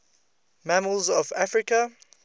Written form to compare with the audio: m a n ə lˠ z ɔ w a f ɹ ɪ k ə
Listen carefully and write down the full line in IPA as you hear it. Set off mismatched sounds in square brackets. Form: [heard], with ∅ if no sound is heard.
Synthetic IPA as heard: m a [m] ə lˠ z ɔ [v] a f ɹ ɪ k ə